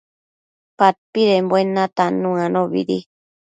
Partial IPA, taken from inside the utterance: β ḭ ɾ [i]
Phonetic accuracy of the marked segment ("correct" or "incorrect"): correct